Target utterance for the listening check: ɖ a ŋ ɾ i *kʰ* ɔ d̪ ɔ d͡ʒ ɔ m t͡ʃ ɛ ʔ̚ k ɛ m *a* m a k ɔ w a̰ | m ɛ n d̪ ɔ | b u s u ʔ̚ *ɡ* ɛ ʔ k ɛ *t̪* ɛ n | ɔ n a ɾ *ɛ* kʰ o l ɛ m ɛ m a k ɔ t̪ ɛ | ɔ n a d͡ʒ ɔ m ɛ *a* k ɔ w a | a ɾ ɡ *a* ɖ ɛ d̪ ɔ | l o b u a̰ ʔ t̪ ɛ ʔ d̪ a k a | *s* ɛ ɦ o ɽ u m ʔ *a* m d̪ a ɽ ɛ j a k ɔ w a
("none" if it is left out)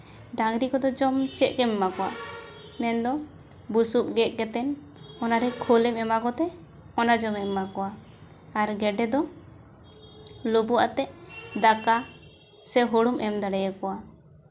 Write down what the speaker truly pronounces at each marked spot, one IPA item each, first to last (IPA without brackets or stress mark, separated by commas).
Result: k, ɛ, ɡ, t̪, ɛ, a, ɛ, s, ɛ